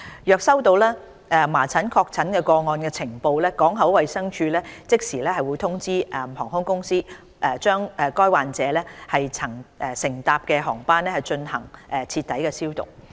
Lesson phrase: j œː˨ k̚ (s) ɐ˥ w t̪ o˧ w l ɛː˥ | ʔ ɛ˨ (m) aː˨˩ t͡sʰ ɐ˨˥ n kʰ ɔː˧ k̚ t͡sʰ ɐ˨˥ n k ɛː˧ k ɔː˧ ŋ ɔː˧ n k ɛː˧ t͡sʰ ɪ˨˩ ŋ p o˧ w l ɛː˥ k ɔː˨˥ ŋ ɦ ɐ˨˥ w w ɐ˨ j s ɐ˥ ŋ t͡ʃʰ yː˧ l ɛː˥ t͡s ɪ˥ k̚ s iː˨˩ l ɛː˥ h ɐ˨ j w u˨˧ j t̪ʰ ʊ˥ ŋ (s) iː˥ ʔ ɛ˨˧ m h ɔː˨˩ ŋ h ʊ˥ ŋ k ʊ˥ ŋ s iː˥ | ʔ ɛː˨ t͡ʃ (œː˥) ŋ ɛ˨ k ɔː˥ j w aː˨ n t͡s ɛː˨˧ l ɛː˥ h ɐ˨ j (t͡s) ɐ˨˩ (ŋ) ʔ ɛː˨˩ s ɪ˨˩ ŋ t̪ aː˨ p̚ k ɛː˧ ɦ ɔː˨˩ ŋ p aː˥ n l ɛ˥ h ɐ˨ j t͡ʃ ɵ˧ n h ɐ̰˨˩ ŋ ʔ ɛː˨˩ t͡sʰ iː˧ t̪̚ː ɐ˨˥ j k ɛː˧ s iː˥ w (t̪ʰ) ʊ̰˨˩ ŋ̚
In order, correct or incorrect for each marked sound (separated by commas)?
correct, correct, incorrect, correct, incorrect, correct, incorrect